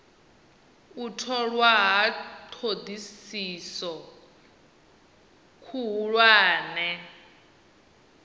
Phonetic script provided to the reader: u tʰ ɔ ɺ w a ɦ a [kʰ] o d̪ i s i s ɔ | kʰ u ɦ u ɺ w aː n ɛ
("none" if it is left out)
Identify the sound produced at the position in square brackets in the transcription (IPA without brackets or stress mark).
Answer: tʰ